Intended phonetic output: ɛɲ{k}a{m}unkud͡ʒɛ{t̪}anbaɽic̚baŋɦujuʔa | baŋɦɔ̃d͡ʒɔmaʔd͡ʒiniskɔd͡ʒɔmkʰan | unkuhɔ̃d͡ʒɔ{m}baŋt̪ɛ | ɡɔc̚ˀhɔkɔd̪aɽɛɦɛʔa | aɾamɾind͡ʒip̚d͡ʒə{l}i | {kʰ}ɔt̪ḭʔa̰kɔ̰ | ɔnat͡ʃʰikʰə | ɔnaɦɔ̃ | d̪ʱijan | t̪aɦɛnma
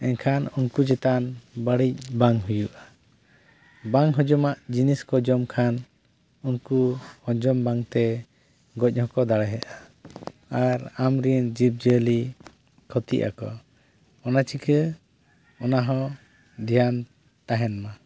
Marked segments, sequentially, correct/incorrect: incorrect: kʰ, incorrect: n, correct, correct, correct, correct

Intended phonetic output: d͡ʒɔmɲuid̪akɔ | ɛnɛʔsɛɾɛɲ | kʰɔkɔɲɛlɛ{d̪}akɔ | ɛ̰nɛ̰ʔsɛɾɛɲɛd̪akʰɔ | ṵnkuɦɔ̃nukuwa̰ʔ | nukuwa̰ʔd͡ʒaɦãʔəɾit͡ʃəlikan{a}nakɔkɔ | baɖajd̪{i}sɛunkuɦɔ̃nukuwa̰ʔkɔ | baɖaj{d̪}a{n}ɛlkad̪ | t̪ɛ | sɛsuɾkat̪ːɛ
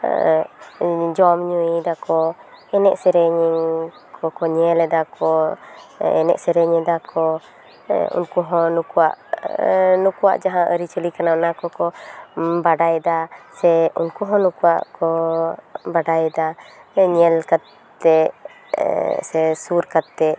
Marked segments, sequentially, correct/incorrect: correct, correct, incorrect: a, correct, incorrect: ɲ

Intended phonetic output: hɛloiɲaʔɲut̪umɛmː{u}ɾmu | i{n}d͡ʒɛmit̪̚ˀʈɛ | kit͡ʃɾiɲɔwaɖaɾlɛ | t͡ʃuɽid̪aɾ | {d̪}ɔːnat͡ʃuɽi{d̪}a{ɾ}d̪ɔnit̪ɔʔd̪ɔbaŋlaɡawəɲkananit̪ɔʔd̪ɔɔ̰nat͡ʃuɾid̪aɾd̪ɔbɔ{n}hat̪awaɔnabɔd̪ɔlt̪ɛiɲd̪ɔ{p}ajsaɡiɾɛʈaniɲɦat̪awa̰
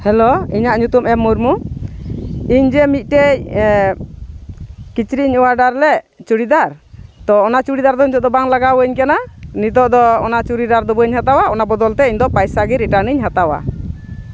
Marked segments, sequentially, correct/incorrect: correct, incorrect: ɲ, incorrect: t̪, correct, correct, incorrect: ɲ, correct

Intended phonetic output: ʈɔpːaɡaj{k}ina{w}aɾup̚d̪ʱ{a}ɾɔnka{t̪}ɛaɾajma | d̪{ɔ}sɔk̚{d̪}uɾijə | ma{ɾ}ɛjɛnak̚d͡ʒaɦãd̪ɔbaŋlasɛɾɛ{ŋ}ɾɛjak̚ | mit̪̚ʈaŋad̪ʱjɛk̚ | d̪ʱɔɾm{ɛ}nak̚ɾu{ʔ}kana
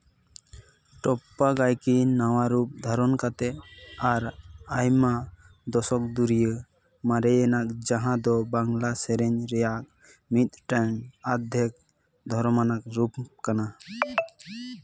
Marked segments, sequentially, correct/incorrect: correct, correct, correct, correct, correct, correct, correct, incorrect: ɲ, incorrect: a, incorrect: p

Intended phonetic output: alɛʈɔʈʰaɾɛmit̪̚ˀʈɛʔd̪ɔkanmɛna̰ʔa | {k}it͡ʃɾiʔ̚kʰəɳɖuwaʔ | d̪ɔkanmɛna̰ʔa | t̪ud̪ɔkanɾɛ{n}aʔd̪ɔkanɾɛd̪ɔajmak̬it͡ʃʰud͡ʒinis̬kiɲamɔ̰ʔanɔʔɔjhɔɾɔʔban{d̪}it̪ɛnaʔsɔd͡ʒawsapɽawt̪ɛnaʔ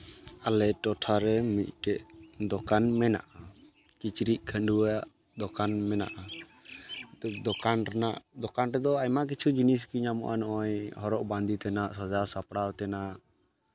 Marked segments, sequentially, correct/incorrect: correct, correct, correct

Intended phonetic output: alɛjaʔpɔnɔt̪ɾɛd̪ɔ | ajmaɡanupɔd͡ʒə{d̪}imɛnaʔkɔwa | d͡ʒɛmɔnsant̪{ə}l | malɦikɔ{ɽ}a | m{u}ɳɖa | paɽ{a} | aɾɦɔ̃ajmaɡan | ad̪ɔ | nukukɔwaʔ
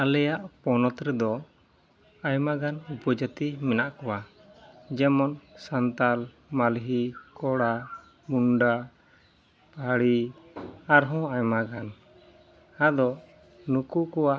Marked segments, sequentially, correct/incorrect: incorrect: t̪, incorrect: a, correct, correct, incorrect: i

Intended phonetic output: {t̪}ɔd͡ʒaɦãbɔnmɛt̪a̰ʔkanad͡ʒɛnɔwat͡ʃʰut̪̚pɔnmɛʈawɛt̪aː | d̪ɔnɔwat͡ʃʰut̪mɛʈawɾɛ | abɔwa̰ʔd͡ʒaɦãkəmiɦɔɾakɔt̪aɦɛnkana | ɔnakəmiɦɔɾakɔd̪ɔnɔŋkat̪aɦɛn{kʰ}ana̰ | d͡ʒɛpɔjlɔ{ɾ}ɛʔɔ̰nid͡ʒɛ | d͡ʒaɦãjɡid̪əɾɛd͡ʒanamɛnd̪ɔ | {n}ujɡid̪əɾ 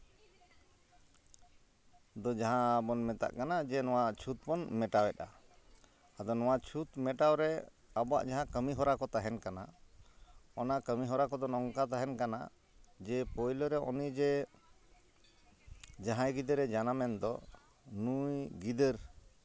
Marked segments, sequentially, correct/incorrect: incorrect: d̪, incorrect: k, correct, correct

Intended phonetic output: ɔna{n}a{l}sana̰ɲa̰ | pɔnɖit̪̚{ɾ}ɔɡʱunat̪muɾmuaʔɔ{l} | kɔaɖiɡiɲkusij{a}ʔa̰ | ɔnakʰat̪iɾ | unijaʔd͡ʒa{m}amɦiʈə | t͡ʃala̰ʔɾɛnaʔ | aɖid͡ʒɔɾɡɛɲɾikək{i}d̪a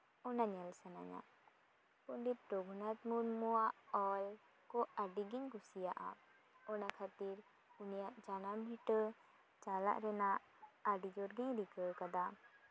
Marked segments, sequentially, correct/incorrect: incorrect: ɲ, correct, correct, correct, correct, incorrect: n, incorrect: a

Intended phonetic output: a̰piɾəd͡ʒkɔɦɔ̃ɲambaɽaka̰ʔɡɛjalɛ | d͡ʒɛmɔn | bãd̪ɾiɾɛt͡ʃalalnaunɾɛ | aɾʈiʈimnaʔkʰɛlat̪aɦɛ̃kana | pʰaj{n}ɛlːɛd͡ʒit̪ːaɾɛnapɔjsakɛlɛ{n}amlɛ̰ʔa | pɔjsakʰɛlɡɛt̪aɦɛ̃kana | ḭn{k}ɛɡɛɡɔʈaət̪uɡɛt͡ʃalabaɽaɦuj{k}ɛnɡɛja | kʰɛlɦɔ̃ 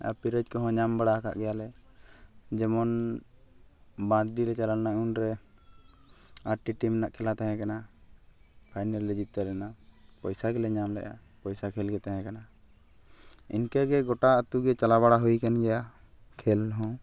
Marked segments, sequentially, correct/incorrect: correct, incorrect: ɲ, correct, correct

